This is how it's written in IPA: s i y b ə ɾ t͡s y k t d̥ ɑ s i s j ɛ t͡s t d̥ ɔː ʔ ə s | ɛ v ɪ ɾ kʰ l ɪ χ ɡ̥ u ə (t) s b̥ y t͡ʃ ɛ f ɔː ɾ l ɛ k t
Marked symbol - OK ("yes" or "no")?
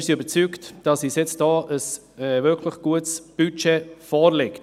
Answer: yes